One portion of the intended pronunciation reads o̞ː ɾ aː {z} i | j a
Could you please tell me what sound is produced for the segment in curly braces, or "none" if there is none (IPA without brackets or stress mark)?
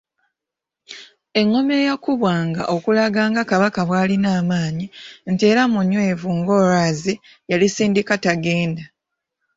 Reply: z